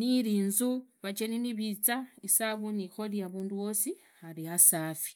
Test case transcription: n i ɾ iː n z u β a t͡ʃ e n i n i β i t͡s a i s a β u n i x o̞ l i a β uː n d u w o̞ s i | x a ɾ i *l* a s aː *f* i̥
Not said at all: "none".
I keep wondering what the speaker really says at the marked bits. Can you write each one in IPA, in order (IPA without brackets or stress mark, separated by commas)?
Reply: none, f